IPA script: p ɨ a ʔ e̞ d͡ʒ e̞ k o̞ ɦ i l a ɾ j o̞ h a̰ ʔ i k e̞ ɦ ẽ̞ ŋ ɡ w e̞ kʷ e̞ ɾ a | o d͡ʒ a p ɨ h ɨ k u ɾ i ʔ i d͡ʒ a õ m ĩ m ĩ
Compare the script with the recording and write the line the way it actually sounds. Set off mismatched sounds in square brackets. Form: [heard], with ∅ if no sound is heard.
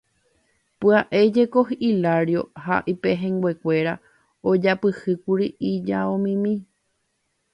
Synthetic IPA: p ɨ a ʔ e̞ d͡ʒ e̞ k o̞ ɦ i l a ɾ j o̞ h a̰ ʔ i [p] e̞ ɦ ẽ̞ ŋ ɡ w e̞ kʷ e̞ ɾ a | o d͡ʒ a p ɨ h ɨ k u ɾ i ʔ i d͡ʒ a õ m ĩ m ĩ